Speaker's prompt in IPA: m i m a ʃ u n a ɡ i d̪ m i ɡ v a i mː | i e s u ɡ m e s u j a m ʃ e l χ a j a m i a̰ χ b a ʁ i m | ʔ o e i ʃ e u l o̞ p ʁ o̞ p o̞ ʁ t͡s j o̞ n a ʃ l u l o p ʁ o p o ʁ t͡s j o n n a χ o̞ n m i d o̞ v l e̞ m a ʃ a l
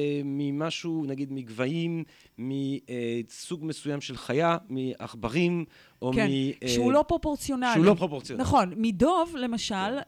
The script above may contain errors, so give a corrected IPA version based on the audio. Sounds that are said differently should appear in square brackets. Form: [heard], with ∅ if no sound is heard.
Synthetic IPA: m i m a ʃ u n a ɡ i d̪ m i ɡ v a i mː | i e s u ɡ m e s u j a m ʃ e l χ a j a m i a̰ χ b a ʁ i m | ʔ o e i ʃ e u l o̞ p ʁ o̞ p o̞ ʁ t͡s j o̞ n a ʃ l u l o p ʁ o p o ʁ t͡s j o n n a χ o̞ n m i d o̞ v l e̞ m a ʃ a l